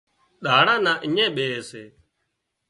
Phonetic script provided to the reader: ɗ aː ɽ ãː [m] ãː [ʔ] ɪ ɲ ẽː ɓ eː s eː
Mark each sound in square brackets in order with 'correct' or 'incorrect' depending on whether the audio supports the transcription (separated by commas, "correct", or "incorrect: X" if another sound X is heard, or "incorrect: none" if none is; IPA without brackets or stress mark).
incorrect: n, correct